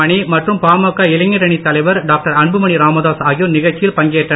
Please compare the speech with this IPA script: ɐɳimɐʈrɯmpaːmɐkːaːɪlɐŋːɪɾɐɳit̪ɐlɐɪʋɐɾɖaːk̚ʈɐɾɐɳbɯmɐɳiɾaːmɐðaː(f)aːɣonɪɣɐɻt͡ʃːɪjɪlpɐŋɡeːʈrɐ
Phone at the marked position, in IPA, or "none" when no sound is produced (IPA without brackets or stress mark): s